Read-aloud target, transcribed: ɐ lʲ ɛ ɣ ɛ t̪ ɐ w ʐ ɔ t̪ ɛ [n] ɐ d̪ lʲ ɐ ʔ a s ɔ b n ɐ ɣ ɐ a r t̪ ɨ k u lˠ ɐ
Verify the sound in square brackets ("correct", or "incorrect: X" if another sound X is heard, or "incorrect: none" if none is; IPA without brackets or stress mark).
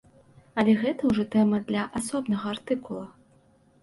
incorrect: m